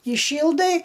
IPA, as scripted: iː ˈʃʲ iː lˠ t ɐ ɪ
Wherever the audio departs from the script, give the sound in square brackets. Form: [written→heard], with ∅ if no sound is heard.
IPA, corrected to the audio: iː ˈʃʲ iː lˠ [t→d] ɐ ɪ